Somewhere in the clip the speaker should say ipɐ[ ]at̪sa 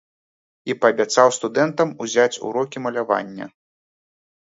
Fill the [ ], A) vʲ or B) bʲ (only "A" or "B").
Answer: B